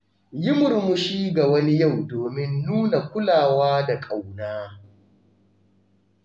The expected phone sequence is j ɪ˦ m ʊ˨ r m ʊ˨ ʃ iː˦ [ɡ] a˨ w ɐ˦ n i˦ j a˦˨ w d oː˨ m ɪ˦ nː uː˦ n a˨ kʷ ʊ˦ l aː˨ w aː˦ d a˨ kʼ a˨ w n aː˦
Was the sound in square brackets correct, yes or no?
yes